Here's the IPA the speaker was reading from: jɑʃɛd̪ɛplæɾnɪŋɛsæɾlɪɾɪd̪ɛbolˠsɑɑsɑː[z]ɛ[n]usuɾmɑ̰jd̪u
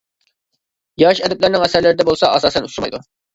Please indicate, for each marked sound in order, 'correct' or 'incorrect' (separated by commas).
incorrect, correct